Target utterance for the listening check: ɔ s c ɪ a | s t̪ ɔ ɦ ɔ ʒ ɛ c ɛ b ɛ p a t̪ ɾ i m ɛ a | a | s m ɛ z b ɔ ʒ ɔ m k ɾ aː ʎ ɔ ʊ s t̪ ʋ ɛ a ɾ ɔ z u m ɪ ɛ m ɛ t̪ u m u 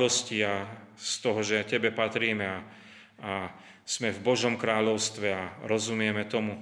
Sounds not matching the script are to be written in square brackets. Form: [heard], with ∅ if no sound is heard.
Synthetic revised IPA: ɔ s c [i] a | s t̪ ɔ ɦ ɔ ʒ ɛ c ɛ b ɛ p a t̪ ɾ [iː] m ɛ a | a | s m ɛ [v] b ɔ ʒ ɔ m k ɾ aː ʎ ɔ ʊ s t̪ ʋ ɛ a ɾ ɔ z u m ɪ ɛ m ɛ t̪ [ɔ] m u